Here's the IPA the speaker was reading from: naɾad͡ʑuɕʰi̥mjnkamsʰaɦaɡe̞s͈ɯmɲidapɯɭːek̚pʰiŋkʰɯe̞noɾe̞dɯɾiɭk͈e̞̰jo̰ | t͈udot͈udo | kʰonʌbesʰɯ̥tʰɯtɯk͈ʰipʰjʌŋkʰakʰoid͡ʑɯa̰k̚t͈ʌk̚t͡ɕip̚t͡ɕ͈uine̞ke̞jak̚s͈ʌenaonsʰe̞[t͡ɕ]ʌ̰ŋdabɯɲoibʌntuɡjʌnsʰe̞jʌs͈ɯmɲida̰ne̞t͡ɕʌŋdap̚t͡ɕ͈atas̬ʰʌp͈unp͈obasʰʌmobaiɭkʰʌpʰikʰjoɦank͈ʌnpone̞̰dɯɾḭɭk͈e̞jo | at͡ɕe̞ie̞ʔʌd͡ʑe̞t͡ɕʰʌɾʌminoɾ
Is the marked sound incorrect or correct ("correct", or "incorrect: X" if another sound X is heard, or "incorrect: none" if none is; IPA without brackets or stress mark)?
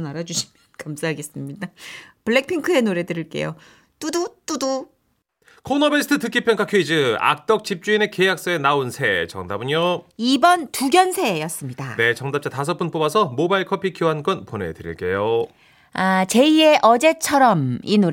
correct